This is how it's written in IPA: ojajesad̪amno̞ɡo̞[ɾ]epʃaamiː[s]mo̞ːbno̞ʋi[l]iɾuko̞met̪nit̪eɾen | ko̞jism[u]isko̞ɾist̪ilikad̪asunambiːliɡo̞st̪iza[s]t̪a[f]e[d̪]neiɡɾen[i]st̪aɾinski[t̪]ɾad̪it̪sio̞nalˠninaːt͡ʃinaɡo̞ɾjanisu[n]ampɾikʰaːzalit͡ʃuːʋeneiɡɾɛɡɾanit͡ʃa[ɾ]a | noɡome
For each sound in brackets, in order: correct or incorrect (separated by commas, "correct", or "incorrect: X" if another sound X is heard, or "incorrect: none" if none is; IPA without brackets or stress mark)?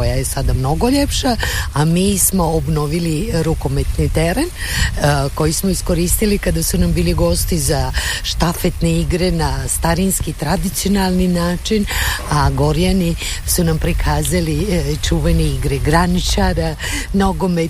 incorrect: ʎ, correct, correct, incorrect: o, incorrect: ʃ, correct, incorrect: t̪, incorrect: a, correct, correct, correct